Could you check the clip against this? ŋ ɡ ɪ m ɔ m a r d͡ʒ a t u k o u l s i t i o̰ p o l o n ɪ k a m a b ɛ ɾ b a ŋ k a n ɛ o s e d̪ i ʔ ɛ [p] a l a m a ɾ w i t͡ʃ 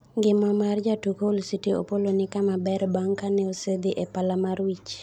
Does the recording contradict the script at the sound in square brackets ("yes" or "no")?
no